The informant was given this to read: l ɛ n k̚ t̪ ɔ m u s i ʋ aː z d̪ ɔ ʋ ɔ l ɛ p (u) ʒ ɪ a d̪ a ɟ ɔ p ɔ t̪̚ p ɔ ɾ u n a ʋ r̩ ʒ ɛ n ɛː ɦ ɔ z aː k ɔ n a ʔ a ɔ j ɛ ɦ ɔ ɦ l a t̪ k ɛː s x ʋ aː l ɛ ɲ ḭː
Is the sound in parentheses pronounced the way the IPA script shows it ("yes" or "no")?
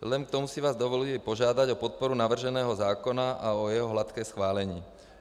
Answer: no